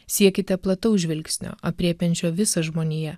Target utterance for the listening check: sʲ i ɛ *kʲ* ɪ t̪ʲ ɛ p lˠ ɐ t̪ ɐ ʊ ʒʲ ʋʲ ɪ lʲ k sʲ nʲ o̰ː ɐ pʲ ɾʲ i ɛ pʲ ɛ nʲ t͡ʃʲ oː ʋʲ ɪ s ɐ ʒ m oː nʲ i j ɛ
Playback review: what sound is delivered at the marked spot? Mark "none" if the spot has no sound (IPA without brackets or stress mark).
kʲ